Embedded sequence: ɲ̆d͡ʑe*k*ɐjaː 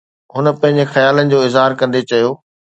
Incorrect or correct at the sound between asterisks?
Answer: incorrect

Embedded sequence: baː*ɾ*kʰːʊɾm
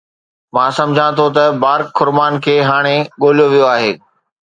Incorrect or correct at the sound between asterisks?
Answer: correct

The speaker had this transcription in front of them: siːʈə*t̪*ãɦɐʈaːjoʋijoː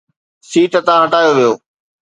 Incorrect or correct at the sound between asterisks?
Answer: correct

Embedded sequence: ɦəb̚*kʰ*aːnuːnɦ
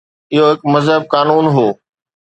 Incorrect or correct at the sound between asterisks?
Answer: incorrect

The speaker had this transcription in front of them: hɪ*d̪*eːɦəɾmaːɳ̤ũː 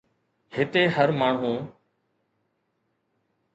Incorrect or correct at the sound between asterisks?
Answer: incorrect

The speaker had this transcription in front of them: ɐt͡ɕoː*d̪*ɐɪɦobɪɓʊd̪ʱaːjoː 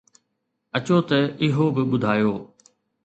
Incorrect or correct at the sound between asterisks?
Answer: incorrect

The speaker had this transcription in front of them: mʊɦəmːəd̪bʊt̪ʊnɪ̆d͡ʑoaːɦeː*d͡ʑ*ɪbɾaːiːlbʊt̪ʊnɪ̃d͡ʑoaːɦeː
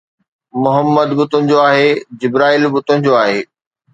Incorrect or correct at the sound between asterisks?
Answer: correct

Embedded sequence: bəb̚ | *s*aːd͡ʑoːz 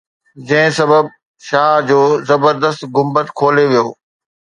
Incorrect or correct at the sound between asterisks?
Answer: incorrect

